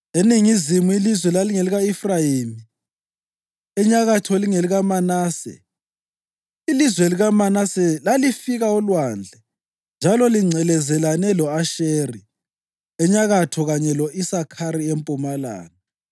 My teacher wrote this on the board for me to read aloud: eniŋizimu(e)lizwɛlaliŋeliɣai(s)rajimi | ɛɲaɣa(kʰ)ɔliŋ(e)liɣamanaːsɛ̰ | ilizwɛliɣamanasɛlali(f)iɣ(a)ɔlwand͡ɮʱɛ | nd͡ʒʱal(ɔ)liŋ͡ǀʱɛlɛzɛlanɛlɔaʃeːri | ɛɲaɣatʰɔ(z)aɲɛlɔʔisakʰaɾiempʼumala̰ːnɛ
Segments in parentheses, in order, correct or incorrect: incorrect: i, incorrect: f, incorrect: tʰ, correct, correct, correct, correct, incorrect: ɣ

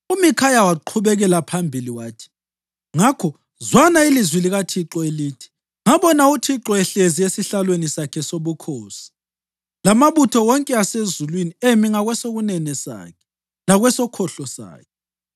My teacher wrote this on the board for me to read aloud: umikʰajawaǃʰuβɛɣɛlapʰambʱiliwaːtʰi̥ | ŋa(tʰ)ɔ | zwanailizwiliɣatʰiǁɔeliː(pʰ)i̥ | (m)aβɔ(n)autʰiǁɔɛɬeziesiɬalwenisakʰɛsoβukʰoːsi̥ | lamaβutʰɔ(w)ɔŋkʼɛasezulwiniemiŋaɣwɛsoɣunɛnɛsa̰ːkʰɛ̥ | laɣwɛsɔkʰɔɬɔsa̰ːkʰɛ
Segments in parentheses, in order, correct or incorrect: incorrect: kʰ, incorrect: tʰ, incorrect: ŋ, correct, correct

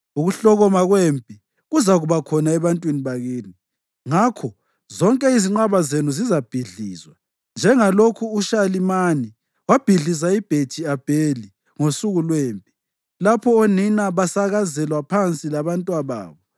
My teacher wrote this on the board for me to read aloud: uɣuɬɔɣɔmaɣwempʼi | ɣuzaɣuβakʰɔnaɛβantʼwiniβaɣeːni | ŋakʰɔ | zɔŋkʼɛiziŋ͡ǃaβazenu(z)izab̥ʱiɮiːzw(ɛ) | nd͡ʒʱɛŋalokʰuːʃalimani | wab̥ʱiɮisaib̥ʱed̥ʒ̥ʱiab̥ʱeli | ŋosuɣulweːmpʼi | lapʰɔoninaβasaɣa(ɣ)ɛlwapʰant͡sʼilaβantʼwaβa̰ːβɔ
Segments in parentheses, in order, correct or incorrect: correct, incorrect: a, incorrect: z

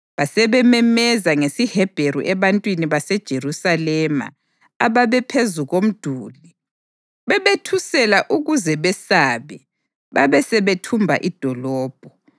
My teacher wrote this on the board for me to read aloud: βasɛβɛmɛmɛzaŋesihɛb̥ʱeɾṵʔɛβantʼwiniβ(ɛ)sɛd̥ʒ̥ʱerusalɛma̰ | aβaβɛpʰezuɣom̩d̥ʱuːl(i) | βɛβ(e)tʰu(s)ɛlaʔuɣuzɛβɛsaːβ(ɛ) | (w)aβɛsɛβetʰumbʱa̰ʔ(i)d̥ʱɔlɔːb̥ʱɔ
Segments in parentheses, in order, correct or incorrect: incorrect: a, correct, correct, correct, correct, incorrect: β, correct

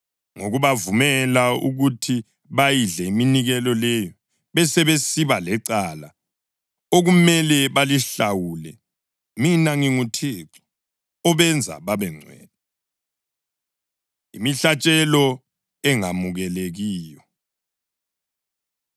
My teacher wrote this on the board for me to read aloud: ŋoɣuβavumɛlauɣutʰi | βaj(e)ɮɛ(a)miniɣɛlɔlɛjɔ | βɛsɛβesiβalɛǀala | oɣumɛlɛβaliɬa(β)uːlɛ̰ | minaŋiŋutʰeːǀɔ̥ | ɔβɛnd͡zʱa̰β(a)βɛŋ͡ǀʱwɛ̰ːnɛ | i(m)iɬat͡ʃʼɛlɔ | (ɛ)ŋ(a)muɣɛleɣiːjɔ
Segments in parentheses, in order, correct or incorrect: incorrect: i, incorrect: i, incorrect: w, correct, correct, correct, correct

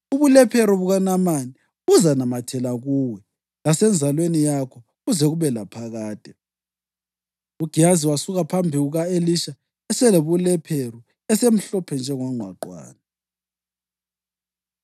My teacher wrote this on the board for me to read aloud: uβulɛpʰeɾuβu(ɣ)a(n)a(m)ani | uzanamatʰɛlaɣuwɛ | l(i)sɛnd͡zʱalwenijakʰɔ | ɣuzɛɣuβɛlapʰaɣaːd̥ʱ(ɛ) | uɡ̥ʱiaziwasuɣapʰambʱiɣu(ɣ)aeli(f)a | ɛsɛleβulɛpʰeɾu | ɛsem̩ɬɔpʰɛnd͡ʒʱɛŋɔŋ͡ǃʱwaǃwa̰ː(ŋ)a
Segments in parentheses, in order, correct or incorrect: correct, correct, correct, incorrect: a, correct, correct, incorrect: ʃ, incorrect: n

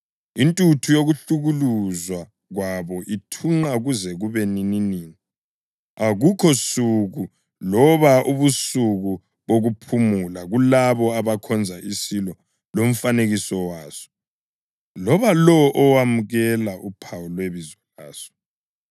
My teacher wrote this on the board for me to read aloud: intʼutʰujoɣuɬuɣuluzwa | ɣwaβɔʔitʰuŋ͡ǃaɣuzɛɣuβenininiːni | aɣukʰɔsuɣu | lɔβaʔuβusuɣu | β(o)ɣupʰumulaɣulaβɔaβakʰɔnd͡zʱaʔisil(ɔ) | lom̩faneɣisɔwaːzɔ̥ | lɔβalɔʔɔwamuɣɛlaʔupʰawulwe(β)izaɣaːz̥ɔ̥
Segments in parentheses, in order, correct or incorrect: correct, correct, correct

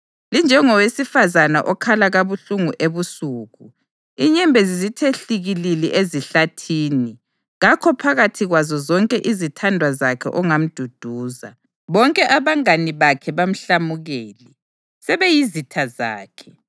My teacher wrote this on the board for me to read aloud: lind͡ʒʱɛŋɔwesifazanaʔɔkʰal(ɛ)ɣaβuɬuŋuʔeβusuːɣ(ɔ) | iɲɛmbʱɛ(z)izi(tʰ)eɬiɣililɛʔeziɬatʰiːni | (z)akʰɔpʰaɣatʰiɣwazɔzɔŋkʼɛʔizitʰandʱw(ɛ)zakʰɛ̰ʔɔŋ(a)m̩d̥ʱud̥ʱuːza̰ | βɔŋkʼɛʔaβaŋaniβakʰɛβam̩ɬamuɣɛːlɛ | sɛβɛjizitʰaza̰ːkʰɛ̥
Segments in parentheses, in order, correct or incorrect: incorrect: a, incorrect: u, correct, correct, incorrect: ɣ, incorrect: a, correct

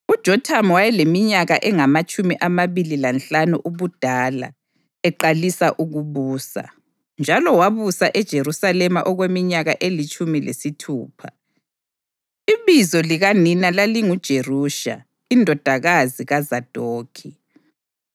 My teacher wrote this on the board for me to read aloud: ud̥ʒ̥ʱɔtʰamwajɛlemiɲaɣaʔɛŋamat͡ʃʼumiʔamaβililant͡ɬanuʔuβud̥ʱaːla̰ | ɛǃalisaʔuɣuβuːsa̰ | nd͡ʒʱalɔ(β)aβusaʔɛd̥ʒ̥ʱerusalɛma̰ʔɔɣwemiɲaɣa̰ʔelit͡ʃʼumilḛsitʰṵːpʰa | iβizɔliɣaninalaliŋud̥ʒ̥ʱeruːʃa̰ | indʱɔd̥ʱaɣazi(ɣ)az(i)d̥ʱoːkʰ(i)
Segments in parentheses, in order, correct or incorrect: incorrect: w, correct, incorrect: a, correct

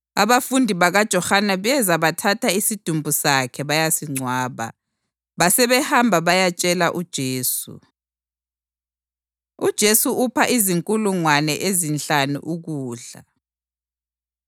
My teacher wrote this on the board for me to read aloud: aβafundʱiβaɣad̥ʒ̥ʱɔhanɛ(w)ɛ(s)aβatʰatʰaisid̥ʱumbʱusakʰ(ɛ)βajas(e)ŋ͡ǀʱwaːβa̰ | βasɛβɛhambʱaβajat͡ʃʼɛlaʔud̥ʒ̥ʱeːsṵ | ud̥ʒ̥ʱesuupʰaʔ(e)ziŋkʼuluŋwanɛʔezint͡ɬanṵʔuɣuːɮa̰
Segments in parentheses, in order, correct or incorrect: incorrect: β, incorrect: z, correct, incorrect: i, incorrect: i

